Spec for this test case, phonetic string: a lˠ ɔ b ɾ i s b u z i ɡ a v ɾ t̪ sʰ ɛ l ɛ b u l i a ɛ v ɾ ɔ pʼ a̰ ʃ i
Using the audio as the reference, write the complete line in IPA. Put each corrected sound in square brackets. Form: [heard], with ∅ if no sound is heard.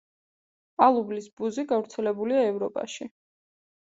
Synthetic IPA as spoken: a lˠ [u] b [l] i s b u z i ɡ a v ɾ t̪ sʰ ɛ l ɛ b u l i a ɛ v ɾ ɔ pʼ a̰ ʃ i